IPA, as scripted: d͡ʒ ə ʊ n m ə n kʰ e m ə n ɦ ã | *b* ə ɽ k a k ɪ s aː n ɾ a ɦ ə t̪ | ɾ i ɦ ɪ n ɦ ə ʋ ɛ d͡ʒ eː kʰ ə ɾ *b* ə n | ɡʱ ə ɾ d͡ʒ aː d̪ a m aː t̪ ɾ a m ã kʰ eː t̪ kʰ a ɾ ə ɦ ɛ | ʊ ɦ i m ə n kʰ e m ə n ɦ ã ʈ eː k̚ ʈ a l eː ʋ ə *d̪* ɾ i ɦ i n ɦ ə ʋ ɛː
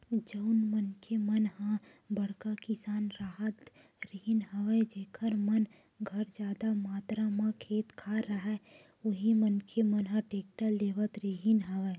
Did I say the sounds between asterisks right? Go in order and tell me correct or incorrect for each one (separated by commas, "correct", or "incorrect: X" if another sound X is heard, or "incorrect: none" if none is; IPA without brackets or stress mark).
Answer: correct, incorrect: m, incorrect: t̪